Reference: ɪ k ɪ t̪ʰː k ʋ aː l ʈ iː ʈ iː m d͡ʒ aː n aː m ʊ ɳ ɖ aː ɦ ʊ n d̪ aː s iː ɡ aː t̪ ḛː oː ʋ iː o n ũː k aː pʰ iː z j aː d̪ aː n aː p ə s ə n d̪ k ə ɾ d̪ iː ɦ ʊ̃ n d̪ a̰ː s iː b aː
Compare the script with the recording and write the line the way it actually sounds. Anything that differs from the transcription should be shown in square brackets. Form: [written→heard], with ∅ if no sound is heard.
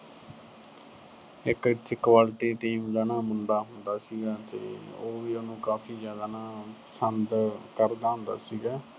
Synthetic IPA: ɪ k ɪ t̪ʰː k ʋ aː l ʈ iː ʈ iː m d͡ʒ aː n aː m ʊ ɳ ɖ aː ɦ ʊ n d̪ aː s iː ɡ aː t̪ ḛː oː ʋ iː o n ũː k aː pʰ iː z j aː d̪ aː n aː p ə s ə n d̪ k ə ɾ d̪ [iː→aː] ɦ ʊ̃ n d̪ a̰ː s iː [b→ɡ] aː